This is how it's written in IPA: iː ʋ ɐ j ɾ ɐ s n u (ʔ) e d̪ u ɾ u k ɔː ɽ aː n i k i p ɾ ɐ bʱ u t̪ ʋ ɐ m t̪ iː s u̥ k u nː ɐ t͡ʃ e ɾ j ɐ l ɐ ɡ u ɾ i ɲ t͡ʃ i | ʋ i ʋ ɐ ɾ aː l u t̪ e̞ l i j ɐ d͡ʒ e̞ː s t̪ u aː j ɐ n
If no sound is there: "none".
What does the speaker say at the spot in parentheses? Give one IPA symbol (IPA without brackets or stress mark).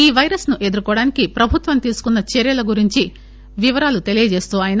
ʔ